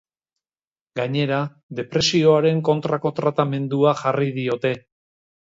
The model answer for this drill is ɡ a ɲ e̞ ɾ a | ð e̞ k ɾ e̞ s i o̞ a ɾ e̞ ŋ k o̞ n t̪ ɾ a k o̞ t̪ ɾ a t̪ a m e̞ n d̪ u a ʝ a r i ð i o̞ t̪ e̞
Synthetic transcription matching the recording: ɡ a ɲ e̞ ɾ a | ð e̞ p ɾ e̞ s i o̞ a ɾ e̞ ŋ k o̞ n t̪ ɾ a k o̞ t̪ ɾ a t̪ a m e̞ n d̪ u a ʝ a r i ð i o̞ t̪ e̞